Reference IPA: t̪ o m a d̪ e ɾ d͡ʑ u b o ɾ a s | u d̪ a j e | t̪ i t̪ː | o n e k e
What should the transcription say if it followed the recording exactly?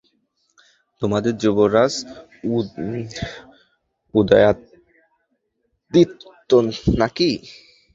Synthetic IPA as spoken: t̪ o m a d̪ e ɾ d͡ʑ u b o ɾ a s | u d̪ a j a | d̪ i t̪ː | o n a k i